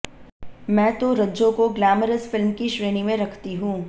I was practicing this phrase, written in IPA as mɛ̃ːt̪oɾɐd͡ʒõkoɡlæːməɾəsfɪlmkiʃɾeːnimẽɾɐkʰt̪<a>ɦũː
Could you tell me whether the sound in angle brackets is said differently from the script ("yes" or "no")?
yes